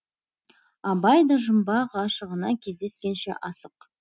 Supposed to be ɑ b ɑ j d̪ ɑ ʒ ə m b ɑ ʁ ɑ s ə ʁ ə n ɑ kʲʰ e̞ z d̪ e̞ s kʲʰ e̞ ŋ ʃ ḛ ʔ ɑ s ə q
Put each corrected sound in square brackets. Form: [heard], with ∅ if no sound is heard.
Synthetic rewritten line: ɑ b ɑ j d̪ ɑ ʒ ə m b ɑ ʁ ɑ [ʃ] ə ʁ ə n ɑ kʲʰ e̞ z d̪ e̞ s [kʲ] e̞ [n] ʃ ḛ ʔ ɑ s ə q

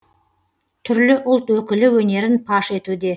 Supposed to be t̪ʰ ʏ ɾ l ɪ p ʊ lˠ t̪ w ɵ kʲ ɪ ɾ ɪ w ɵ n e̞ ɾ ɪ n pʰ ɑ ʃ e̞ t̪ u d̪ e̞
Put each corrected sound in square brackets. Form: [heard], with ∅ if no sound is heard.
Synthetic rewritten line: t̪ʰ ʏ ɾ l ɪ [ʔ] ʊ lˠ t̪ w ɵ kʲ ɪ [l] ɪ w ɵ n e̞ ɾ ɪ n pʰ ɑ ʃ e̞ t̪ u d̪ e̞

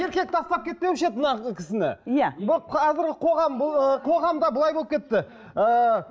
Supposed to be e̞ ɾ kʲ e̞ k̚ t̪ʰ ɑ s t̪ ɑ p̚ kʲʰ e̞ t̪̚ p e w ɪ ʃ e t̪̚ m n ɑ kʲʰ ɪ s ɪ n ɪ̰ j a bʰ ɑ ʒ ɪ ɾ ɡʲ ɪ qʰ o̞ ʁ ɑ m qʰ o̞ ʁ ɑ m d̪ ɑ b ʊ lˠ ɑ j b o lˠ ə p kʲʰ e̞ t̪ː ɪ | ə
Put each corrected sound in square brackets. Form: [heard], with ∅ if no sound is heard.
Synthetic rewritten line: e̞ ɾ kʲ e̞ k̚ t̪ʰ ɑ s t̪ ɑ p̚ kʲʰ e̞ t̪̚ p e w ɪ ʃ e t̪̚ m n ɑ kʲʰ ɪ s ɪ n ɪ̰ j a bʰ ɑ [z] ɪ ɾ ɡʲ ɪ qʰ o̞ ʁ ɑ m qʰ o̞ ʁ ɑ m d̪ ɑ b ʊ lˠ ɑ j b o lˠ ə p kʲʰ e̞ t̪ː ɪ | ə

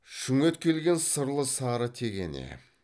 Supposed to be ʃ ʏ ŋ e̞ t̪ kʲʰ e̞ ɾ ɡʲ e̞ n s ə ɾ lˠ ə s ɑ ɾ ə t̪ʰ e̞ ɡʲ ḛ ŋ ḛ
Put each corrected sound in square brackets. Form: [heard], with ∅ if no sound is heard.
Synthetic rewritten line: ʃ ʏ ŋ e̞ t̪ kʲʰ e̞ [l] ɡʲ e̞ n s ə ɾ lˠ ə s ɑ ɾ ə t̪ʰ e̞ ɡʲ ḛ [n] ḛ

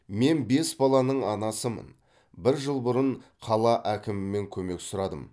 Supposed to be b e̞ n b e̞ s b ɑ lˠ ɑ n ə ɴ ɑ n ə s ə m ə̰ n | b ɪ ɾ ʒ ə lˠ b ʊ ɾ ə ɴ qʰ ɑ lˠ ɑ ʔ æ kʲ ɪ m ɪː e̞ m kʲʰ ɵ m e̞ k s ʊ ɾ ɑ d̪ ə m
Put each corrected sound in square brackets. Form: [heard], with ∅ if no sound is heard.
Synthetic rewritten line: [m] e̞ n b e̞ s b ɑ lˠ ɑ n ə ɴ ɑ n [ɑ] s ə m ə̰ n | b ɪ ɾ ʒ ə lˠ b ʊ ɾ ə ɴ qʰ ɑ lˠ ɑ ʔ æ kʲ ɪ m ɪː e̞ [ŋ] kʲʰ ɵ m e̞ k s ʊ ɾ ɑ d̪ ə m

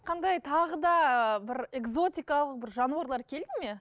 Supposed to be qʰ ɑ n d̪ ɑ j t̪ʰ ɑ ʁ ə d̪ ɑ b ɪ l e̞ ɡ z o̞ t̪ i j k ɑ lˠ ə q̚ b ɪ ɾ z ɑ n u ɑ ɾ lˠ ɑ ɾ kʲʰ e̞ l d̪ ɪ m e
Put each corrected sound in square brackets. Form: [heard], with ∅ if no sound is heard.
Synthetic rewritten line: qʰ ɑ n d̪ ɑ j t̪ʰ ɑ ʁ ə d̪ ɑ b ɪ [ɾ] e̞ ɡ z o̞ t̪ i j k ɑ lˠ ə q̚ b ɪ ɾ [ʒ] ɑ n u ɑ ɾ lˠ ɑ ɾ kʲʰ e̞ l d̪ ɪ m e

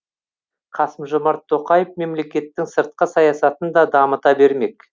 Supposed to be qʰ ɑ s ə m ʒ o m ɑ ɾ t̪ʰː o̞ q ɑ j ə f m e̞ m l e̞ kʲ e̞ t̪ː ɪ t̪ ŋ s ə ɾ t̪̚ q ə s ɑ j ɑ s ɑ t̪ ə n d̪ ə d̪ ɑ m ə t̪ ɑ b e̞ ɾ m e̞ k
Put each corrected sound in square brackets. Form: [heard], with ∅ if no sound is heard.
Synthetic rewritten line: qʰ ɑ s ə m ʒ o m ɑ ɾ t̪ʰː o̞ q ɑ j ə f m e̞ m l e̞ kʲ e̞ t̪ː ɪ [∅] ŋ s ə ɾ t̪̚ q ə s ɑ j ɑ s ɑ t̪ ə n d̪ [ɑ] d̪ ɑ m ə t̪ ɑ b e̞ ɾ m e̞ k

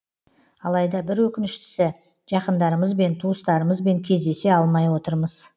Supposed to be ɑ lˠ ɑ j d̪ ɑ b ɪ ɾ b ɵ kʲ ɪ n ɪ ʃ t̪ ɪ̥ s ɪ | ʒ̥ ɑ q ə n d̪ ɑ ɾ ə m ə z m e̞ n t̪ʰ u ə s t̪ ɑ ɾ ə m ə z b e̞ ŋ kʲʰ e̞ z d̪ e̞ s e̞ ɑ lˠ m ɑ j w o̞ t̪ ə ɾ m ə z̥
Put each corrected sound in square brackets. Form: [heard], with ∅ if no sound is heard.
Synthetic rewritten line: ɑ lˠ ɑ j d̪ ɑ b ɪ ɾ [w] ɵ kʲ ɪ n ɪ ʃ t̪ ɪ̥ s ɪ | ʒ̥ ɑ q ə n d̪ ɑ ɾ ə m ə z [b] e̞ n t̪ʰ u ə s t̪ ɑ ɾ ə m ə z b e̞ ŋ kʲʰ e̞ z d̪ e̞ s e̞ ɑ lˠ m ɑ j w o̞ t̪ ə ɾ m ə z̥

